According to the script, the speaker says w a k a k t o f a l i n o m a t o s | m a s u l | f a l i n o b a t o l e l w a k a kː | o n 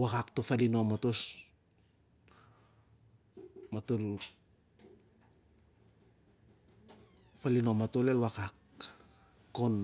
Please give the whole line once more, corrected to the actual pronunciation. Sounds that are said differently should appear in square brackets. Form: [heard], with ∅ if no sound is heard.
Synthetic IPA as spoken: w a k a k t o f a l i n o m a t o s | m a [t] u l | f a l i n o [m] a t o l e l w a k a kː | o n